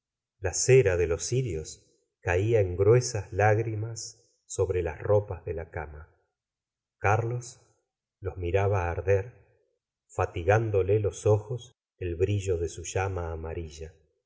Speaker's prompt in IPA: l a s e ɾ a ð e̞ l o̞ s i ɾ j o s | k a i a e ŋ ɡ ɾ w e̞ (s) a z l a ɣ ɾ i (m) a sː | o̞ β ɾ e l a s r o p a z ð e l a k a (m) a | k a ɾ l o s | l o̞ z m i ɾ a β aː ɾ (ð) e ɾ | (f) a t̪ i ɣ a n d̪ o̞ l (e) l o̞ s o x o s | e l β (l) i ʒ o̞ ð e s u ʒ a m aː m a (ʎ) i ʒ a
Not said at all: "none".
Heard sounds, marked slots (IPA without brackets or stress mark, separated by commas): s, m, m, ð, f, e, ɾ, ɾ